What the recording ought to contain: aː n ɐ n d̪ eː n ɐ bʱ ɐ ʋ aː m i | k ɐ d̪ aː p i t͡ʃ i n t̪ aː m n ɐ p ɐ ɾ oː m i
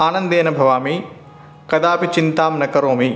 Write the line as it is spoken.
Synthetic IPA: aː n ɐ n d̪ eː n ɐ bʱ ɐ ʋ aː m i | k ɐ d̪ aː p i t͡ʃ i n t̪ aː m n ɐ k ɐ ɾ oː m i